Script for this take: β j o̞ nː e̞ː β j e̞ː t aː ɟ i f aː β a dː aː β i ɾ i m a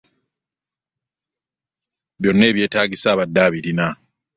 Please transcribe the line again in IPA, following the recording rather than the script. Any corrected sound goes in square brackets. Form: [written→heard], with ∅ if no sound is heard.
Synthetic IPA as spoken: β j o̞ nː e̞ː β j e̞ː t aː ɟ i [f→s] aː β a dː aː β i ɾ i [m→n] a